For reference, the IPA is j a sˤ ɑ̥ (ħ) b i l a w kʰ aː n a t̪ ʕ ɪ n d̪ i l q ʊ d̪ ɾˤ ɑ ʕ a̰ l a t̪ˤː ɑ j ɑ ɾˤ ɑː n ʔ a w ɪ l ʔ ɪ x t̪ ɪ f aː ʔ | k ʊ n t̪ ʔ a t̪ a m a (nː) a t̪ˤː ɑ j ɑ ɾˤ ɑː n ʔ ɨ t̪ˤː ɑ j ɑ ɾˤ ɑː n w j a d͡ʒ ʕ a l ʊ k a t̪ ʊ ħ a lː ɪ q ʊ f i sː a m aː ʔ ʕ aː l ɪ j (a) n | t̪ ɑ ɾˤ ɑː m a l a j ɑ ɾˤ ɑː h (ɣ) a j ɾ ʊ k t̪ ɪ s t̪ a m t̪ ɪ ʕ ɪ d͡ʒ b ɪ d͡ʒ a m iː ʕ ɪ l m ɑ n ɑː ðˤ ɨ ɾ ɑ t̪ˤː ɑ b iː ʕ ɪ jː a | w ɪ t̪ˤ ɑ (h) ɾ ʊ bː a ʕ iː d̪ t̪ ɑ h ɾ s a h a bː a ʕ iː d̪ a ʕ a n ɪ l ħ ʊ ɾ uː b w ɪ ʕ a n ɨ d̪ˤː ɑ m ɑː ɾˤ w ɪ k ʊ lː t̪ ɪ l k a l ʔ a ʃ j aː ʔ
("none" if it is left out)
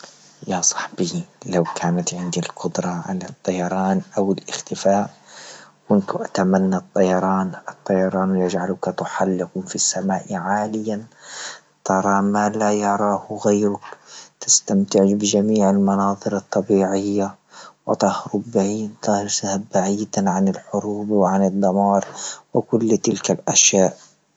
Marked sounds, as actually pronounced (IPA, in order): ħ, nː, a, ɣ, h

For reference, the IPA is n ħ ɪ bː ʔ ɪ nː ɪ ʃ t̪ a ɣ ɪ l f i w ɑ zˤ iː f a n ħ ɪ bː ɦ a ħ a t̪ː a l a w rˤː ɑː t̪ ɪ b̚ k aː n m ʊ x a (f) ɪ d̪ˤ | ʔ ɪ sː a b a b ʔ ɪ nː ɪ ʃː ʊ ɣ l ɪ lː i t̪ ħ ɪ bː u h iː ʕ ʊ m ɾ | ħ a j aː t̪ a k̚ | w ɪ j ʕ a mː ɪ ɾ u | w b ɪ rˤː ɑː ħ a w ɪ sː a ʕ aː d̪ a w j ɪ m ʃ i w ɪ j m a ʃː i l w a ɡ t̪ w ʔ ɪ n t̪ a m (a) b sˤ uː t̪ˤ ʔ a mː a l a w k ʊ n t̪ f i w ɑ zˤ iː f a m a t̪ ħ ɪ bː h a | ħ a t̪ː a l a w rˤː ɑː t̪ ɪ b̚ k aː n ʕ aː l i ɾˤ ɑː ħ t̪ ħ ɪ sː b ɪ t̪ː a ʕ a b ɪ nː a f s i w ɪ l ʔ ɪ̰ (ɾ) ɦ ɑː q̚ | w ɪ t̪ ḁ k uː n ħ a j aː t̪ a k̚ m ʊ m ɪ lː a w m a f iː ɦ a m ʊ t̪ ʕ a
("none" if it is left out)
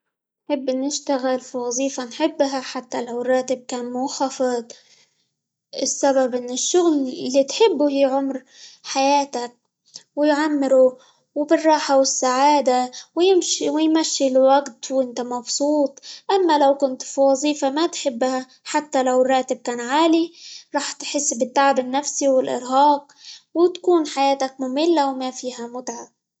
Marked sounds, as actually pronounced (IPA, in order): f, ɑ, ɾ

